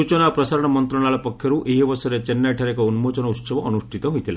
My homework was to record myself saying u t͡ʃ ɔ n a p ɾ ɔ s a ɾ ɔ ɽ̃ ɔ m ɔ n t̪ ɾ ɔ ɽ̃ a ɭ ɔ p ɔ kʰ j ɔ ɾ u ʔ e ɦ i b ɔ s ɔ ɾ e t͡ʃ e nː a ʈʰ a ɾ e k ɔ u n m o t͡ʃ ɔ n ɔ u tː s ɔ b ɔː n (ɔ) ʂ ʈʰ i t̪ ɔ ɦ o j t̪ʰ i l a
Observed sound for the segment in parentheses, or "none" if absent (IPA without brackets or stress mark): u